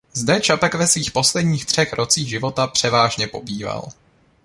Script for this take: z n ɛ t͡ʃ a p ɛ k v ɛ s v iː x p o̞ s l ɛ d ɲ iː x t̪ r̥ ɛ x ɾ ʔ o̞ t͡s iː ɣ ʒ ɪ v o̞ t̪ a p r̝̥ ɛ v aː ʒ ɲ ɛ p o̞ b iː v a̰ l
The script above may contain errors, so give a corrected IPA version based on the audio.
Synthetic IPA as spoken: z d ɛ t͡ʃ a p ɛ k v ɛ s v iː x p o̞ s l ɛ d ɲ iː x t̪ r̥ ɛ x ɾ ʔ o̞ t͡s iː ɣ ʒ ɪ v o̞ t̪ a p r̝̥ ɛ v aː ʒ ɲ ɛ p o̞ b iː v a̰ l